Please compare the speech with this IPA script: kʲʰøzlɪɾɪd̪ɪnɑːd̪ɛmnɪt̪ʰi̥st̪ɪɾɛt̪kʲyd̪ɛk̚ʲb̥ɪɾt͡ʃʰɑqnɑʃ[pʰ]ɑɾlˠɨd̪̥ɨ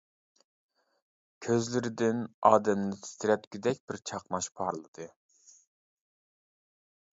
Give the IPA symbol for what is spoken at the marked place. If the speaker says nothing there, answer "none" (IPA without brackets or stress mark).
pʰ